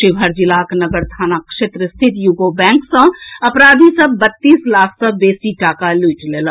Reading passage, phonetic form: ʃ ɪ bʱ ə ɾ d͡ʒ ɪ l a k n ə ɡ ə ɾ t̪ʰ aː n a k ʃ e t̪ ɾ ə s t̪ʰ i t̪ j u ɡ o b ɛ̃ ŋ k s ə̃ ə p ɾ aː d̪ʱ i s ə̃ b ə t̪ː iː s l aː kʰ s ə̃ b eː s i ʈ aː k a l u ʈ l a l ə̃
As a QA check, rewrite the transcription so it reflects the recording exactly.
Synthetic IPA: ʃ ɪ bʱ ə ɾ d͡ʒ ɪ l a k n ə ɡ ə ɾ t̪ʰ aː n a k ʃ e t̪ ɾ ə s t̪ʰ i t̪ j u ɡ o b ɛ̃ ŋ k s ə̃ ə p ɾ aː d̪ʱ i s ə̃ b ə t̪ː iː s l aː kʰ s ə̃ b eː s i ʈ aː k a l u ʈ l e l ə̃